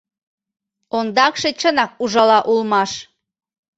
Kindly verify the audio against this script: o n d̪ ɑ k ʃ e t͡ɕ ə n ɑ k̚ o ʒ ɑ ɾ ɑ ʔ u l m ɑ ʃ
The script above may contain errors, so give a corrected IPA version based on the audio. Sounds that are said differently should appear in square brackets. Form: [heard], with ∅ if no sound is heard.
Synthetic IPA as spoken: o n d̪ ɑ k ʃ e t͡ɕ ə n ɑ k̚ [u] ʒ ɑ [l] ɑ ʔ u l m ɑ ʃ